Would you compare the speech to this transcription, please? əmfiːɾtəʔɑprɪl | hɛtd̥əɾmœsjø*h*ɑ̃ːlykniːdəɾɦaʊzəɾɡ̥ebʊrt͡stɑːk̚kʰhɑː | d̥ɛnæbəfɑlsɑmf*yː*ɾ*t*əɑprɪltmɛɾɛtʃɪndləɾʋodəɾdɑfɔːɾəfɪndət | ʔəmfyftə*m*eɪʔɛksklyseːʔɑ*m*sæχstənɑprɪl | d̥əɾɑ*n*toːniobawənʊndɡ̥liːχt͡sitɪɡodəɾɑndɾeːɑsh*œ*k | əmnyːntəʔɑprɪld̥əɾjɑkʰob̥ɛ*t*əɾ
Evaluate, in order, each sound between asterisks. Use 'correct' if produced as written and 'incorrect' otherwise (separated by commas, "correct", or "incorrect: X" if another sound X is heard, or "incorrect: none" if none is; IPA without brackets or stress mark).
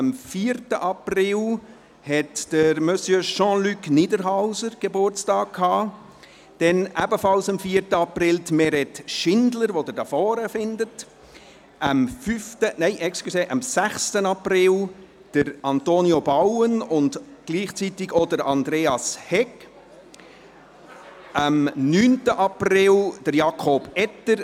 incorrect: ʃ, incorrect: iː, correct, incorrect: n, correct, correct, incorrect: ɛ, correct